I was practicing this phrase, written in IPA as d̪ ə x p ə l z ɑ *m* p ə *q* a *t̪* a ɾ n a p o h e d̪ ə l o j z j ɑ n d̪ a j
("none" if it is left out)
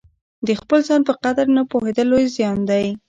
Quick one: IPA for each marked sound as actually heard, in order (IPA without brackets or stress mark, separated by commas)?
n, q, d̪